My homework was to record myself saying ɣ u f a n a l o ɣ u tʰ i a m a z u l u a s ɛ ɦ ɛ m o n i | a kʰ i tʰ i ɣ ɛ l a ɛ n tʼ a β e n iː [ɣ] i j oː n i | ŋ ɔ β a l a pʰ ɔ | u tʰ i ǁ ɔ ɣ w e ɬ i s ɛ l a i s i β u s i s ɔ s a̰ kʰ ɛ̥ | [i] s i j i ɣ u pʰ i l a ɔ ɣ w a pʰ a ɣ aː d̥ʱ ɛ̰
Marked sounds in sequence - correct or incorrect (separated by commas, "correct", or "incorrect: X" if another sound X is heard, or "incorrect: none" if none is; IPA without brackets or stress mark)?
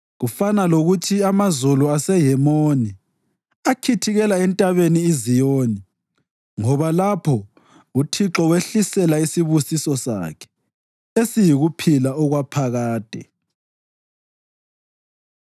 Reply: incorrect: z, incorrect: e